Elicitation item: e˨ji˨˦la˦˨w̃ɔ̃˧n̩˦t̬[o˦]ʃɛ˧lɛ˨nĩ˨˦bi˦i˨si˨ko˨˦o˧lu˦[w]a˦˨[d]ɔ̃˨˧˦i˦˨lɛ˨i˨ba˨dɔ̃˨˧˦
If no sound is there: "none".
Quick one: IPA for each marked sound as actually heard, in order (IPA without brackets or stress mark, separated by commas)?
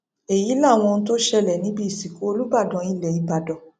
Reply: o˦, b, d